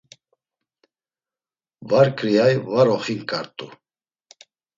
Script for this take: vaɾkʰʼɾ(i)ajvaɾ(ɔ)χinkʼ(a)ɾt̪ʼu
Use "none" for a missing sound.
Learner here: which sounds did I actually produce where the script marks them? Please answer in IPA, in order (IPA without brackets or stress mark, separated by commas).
i, ɔ, a